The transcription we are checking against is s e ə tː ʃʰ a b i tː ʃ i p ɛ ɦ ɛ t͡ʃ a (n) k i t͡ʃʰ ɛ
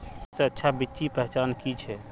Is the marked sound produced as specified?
yes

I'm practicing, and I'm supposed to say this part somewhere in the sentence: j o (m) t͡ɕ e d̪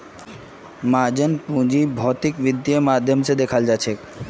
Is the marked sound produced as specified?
yes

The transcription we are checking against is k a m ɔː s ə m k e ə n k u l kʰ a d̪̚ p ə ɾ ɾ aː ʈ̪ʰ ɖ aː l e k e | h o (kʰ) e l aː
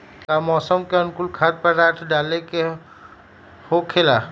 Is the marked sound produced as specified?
yes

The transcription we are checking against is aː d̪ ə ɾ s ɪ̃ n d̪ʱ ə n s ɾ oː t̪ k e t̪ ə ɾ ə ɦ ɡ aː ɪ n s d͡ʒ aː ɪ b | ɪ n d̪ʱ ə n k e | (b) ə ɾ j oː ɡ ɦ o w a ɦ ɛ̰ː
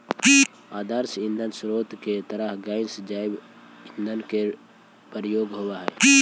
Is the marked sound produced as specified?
no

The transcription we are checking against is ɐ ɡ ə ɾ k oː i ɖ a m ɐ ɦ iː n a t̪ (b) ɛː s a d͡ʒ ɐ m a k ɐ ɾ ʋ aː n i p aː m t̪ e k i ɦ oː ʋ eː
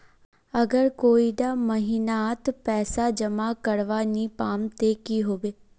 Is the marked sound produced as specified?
no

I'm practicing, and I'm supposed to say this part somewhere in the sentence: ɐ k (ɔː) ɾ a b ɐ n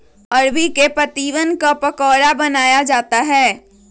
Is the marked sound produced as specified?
yes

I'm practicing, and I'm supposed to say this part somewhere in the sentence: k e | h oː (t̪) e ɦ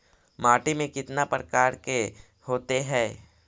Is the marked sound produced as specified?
yes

